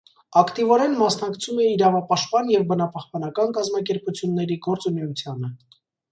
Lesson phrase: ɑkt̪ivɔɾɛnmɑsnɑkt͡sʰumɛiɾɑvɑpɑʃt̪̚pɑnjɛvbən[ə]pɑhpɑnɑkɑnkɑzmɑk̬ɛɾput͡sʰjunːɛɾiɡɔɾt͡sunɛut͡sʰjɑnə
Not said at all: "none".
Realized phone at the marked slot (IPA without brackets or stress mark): ɑ